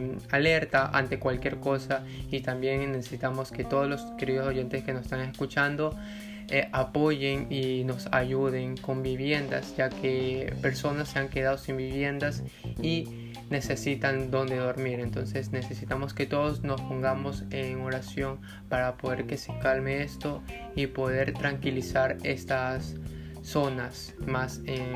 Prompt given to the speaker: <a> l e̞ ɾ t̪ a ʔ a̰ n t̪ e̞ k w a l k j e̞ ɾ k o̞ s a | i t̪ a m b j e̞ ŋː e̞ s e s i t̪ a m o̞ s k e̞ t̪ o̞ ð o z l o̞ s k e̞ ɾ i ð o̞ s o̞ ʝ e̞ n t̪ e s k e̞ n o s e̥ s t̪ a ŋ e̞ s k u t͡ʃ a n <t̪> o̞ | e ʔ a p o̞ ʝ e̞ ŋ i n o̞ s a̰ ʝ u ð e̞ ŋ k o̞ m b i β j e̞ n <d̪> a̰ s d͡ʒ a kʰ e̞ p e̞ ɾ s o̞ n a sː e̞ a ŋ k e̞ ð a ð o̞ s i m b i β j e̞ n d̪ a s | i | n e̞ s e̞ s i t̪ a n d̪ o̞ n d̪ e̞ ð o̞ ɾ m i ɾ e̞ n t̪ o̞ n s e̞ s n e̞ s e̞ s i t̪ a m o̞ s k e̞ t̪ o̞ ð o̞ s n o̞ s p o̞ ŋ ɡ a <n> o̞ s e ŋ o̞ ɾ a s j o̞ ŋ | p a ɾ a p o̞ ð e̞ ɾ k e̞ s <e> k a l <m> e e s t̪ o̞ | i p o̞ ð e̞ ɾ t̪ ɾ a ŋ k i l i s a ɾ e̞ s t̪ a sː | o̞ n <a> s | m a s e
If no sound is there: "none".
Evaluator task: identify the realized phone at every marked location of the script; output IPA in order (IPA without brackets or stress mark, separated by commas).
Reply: a, d̪, d̪, m, e, m, a